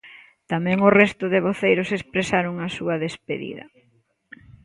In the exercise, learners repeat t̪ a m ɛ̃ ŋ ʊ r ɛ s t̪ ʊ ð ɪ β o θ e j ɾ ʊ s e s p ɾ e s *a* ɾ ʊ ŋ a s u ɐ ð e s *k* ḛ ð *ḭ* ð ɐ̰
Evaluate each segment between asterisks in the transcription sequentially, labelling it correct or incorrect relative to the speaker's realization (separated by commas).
correct, incorrect, correct